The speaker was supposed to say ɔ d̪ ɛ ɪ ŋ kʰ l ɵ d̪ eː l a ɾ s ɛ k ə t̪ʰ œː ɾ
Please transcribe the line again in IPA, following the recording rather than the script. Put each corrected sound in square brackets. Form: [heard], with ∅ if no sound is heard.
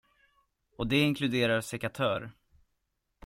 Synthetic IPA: ɔ d̪ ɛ ɪ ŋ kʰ l ɵ d̪ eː [ɾ] a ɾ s ɛ k [a] t̪ʰ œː ɾ